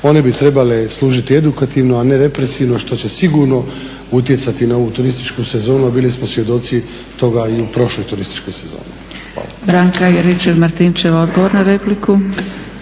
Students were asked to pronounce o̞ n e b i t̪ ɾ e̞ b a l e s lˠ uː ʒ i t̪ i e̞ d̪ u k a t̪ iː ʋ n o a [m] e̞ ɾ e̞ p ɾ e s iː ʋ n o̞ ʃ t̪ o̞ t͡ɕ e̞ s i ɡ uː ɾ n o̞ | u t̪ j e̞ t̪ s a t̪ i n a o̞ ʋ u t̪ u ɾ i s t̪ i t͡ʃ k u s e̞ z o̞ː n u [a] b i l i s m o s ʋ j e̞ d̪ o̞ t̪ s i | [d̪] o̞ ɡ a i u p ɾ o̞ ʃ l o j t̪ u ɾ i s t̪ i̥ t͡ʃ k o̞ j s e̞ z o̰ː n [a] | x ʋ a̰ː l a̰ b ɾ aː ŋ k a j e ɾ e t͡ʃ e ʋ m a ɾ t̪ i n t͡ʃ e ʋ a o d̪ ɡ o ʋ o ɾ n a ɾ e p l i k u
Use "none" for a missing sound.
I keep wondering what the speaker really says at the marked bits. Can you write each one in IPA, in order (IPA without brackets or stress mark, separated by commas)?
n, a, t̪, i